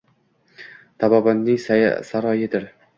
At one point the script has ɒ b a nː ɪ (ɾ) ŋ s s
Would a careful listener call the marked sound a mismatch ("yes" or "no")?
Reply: yes